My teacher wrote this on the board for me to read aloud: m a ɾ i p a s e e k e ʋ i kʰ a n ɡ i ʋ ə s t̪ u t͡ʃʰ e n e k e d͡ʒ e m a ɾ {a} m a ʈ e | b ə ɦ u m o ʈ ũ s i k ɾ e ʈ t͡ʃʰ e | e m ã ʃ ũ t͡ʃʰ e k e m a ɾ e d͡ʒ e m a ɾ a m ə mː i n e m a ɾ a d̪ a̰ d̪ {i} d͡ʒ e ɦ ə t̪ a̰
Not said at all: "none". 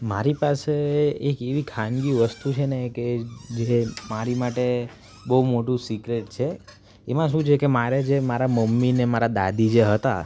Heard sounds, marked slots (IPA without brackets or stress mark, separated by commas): i, i